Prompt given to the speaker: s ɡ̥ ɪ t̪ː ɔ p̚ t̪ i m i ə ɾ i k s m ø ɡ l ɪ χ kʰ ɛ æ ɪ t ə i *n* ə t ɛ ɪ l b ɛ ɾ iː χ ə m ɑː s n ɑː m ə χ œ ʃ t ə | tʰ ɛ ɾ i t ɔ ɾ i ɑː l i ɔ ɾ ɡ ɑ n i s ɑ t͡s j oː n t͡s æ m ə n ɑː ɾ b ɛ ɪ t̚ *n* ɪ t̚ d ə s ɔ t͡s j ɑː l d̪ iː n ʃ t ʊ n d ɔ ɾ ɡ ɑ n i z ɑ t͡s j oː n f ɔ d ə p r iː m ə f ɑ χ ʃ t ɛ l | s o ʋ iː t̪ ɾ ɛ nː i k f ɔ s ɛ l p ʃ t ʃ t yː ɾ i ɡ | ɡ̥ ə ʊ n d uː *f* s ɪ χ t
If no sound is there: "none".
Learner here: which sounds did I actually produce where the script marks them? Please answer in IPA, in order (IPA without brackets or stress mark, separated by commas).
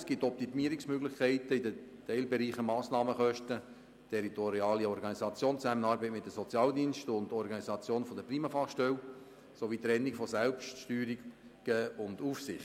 d, m, f